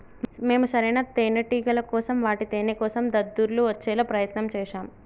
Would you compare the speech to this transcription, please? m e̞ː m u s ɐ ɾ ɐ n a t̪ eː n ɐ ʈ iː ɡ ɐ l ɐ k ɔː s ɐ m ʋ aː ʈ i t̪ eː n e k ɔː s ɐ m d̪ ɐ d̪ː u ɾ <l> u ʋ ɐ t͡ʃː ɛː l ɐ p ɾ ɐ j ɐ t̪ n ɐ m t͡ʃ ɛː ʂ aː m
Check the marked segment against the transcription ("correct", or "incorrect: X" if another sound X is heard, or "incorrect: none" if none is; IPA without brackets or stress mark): correct